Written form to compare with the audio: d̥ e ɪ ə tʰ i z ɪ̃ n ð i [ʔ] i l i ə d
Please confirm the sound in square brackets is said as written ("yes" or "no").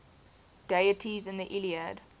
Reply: yes